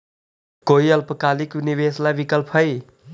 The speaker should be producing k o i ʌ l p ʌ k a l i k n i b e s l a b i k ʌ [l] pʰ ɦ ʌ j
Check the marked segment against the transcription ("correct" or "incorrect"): correct